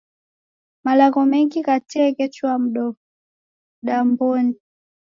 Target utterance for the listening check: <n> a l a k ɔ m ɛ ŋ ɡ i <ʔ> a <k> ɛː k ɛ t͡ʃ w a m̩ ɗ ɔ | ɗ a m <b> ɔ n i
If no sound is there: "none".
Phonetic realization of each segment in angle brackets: m, k, t, b

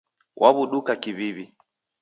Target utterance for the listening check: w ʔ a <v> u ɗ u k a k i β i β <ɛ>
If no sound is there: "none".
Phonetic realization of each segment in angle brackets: β, i

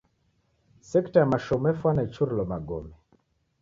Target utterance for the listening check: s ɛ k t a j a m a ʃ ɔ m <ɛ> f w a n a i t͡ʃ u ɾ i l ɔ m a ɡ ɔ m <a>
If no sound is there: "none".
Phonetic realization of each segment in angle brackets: ɛ, ɛ

